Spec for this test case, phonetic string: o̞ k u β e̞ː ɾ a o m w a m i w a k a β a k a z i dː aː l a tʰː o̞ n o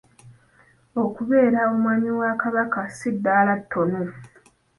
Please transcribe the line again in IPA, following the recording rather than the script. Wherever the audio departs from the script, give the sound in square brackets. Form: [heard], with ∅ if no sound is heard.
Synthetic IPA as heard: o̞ k u β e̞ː ɾ a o m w a [ɲ] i w a k a β a k a [s] i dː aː l a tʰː o̞ n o